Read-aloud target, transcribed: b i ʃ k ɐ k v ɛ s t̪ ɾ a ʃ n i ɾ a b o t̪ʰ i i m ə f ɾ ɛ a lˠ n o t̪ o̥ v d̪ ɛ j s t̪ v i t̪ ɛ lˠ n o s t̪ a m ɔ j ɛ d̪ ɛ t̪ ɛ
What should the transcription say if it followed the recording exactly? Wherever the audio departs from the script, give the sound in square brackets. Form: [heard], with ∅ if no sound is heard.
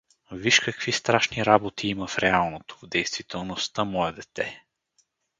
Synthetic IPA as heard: [v] i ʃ k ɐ k v [i] s t̪ ɾ a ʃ n i ɾ a b o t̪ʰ i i m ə f ɾ ɛ a lˠ n o t̪ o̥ v d̪ ɛ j s t̪ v i t̪ ɛ lˠ n o s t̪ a m ɔ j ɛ d̪ ɛ t̪ ɛ